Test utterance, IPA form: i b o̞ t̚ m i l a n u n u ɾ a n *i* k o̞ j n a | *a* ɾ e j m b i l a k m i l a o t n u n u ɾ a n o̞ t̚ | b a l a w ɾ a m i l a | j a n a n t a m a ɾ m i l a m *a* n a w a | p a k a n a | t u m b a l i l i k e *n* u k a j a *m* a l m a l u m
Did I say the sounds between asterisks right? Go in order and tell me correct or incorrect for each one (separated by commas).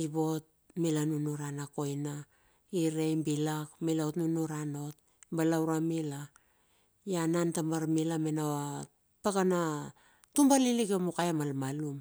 incorrect, incorrect, incorrect, incorrect, correct